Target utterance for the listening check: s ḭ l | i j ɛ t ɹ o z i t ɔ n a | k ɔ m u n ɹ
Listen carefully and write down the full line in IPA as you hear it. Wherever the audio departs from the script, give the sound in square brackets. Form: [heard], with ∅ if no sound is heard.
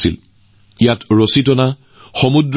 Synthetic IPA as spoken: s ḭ l | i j [a] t ɹ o [s] i t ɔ n a | [x] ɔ m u [d] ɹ